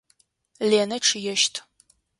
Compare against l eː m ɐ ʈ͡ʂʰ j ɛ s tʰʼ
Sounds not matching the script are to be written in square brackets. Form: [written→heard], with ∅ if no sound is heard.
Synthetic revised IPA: l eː [m→n] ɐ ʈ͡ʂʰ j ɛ [s→ʃ] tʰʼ